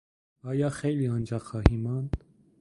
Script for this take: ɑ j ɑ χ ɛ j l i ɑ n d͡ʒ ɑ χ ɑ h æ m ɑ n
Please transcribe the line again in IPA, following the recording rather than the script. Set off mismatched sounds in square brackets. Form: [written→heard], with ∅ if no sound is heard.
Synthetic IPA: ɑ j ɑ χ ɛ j l i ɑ n d͡ʒ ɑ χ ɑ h [æ→i] m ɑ n